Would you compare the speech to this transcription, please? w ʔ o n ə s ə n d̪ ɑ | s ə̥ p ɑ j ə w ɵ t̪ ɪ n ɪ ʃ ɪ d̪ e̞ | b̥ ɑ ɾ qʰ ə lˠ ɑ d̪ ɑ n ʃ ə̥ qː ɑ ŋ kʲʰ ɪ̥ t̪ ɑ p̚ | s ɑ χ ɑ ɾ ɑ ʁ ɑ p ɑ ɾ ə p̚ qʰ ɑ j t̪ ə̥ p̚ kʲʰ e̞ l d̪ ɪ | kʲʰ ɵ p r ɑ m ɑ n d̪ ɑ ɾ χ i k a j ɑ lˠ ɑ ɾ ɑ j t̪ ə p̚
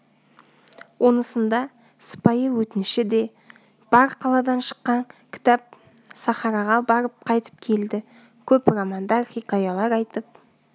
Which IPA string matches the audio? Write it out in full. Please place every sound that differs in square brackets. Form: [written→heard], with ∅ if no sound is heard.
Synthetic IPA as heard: w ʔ o n ə s ə n d̪ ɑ | s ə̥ p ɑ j ə w ɵ t̪ ɪ n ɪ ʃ ɪ d̪ e̞ | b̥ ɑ ɾ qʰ [ə→ɑ] lˠ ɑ d̪ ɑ n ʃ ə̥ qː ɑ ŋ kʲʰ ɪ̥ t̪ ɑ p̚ | s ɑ χ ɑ ɾ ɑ ʁ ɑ [p→b] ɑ ɾ ə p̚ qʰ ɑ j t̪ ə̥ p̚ kʲʰ e̞ l d̪ ɪ | kʲʰ ɵ p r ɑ m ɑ n d̪ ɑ ɾ χ i k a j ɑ lˠ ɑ ɾ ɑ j t̪ ə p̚